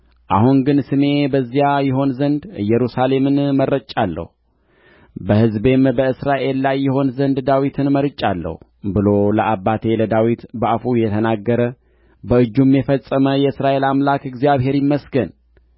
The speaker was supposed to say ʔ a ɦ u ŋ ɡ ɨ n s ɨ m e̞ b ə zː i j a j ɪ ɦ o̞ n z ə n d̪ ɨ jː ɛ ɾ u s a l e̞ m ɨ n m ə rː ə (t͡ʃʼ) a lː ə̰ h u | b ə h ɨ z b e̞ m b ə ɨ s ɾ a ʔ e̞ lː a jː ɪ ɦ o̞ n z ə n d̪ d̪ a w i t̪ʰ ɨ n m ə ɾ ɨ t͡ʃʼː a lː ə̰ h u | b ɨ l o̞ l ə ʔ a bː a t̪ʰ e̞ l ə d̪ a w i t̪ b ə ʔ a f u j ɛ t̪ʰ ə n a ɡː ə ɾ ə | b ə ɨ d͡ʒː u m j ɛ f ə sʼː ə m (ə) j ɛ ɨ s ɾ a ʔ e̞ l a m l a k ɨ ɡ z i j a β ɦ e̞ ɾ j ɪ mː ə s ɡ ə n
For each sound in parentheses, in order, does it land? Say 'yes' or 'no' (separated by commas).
yes, yes